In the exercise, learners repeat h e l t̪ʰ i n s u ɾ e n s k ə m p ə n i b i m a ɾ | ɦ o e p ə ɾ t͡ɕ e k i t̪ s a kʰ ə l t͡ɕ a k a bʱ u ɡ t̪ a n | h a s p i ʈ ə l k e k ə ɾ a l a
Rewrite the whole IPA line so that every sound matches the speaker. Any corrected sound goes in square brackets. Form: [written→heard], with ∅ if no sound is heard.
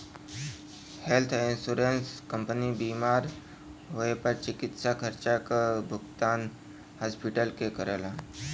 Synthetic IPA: h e l t̪ʰ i n s u ɾ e n s k ə m p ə n i b i m a ɾ | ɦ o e p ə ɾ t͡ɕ [e→i] k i t̪ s a kʰ ə [l→ɾ] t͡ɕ a k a bʱ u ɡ t̪ a n | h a s p i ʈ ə l k e k ə ɾ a l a